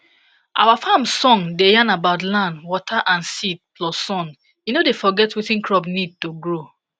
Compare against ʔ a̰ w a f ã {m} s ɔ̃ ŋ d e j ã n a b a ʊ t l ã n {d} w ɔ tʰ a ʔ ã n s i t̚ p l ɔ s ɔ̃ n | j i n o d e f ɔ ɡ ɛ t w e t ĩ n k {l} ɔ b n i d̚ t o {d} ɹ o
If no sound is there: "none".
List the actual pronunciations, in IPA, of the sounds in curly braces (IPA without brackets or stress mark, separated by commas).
m, d, ɹ, ɡ